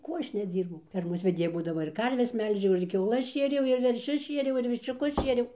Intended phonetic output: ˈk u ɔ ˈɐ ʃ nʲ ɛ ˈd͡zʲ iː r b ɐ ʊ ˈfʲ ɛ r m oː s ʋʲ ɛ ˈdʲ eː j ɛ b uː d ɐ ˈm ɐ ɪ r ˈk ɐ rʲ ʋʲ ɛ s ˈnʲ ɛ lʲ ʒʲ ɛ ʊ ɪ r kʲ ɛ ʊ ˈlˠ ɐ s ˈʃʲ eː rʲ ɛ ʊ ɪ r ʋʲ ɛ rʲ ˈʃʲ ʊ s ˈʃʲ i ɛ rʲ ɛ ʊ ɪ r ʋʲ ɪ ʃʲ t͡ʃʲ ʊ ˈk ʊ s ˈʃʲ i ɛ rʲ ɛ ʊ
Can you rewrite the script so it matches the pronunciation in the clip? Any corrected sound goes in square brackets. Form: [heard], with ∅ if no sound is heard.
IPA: ˈk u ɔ ˈɐ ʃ nʲ ɛ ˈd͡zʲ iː r b ɐ ʊ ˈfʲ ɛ r m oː s ʋʲ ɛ ˈdʲ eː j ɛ b uː d ɐ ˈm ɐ ɪ r ˈk ɐ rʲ ʋʲ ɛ s [ˈmʲ] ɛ lʲ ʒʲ ɛ ʊ ɪ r kʲ ɛ ʊ ˈlˠ ɐ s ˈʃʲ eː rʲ ɛ ʊ ɪ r ʋʲ ɛ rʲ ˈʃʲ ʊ s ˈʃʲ i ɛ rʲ ɛ ʊ ɪ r ʋʲ ɪ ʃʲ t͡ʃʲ ʊ ˈk ʊ s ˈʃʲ i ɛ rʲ ɛ ʊ